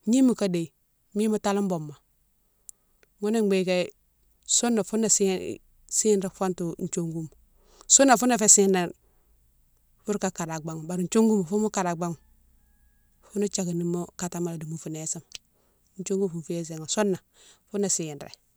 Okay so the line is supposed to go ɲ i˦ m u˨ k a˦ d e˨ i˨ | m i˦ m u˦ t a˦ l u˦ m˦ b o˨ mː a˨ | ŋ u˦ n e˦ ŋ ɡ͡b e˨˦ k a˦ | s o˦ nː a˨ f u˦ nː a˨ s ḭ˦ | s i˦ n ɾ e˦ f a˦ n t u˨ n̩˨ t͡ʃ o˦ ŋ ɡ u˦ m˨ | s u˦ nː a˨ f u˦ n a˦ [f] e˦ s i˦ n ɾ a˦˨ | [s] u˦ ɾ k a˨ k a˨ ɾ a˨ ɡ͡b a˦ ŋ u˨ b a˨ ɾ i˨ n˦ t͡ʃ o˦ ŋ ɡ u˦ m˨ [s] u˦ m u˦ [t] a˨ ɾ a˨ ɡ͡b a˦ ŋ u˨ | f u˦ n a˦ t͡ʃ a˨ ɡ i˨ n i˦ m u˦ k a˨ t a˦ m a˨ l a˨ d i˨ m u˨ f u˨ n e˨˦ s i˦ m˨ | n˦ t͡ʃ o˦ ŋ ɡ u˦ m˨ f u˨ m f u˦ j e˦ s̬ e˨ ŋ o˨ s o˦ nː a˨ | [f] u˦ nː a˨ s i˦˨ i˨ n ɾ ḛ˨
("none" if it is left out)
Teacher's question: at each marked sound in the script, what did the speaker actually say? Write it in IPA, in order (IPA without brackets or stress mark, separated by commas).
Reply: f, f, f, k, f